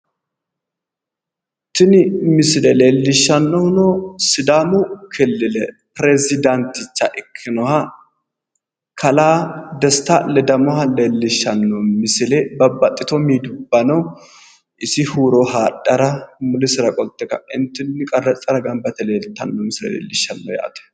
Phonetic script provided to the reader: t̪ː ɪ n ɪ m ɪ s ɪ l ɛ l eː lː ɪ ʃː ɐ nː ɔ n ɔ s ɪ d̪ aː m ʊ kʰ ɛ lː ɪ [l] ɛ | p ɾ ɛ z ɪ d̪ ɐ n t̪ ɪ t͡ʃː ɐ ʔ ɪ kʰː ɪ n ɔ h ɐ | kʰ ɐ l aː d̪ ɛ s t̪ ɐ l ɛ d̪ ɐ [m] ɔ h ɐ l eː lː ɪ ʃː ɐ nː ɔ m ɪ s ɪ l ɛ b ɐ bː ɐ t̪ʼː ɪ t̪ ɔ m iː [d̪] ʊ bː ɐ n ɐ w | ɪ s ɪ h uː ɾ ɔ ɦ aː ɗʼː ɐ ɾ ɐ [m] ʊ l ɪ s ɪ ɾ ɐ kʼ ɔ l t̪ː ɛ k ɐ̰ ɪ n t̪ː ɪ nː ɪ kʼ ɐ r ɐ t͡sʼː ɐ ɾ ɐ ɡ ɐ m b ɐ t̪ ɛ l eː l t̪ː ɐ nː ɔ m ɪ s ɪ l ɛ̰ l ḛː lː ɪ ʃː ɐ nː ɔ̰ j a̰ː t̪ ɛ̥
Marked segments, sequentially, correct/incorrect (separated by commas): correct, correct, correct, correct